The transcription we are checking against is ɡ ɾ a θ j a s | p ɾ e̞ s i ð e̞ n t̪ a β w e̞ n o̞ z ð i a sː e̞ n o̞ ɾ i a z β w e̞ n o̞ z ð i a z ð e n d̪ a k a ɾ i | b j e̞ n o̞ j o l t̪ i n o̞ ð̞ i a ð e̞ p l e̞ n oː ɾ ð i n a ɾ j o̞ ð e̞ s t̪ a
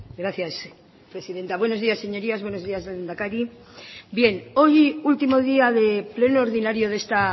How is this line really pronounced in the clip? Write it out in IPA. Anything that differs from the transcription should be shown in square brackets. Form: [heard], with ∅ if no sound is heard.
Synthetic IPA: ɡ ɾ a θ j a s | p ɾ e̞ s i ð e̞ n t̪ a β w e̞ n o̞ z ð i a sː e̞ [ɲ] o̞ ɾ i a z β w e̞ n o̞ z ð i a z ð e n d̪ a k a ɾ i | b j e̞ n o̞ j [u] l t̪ i [m] o̞ ð̞ i a ð e̞ p l e̞ n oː ɾ ð i n a ɾ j o̞ ð e̞ s t̪ a